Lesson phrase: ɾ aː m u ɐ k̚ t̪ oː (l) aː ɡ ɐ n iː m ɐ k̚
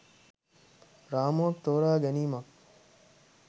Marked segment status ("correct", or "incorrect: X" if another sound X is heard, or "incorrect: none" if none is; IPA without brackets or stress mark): incorrect: ɾ